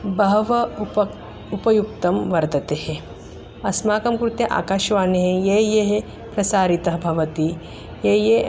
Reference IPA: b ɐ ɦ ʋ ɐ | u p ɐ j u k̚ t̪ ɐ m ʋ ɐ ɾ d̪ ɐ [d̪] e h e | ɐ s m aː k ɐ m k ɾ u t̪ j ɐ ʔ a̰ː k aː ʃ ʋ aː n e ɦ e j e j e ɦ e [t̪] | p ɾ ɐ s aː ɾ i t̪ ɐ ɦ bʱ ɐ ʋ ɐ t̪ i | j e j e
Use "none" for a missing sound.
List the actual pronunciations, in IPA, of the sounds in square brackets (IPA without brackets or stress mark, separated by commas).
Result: t̪, none